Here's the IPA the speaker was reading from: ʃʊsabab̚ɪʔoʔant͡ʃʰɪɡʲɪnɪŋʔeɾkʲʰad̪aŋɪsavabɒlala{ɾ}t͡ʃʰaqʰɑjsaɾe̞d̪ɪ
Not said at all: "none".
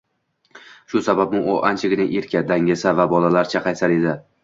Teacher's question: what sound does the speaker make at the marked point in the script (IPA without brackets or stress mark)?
ɾ